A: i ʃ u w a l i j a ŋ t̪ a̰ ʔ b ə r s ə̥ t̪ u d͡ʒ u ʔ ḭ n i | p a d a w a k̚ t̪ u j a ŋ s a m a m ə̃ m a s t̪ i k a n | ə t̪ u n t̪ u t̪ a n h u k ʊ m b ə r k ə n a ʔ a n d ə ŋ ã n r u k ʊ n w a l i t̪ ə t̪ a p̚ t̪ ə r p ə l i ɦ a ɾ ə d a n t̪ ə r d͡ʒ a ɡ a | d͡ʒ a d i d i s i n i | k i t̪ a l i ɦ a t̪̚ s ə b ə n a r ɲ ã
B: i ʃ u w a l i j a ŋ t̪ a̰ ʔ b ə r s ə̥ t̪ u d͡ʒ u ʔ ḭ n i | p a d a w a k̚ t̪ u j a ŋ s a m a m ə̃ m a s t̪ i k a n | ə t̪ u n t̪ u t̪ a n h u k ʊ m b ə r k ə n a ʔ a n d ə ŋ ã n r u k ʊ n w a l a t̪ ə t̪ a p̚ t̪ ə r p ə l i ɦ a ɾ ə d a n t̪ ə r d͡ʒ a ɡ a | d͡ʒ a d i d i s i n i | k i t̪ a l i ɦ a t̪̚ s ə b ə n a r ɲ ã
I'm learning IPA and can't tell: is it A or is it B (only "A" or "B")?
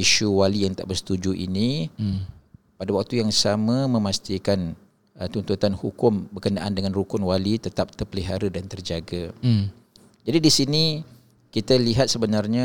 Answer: A